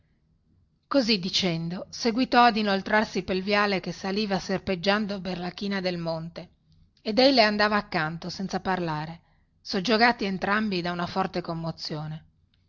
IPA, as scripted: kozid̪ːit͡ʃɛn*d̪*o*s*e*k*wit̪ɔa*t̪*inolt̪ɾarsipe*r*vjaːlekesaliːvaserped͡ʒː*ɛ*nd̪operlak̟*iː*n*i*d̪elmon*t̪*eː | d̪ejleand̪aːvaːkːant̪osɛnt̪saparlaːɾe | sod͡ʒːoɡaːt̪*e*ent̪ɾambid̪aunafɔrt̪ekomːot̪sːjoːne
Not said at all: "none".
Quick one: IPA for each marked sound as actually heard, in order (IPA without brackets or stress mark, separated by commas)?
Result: d̪, s, ɡ, d̪, l, a, iː, a, t̪, i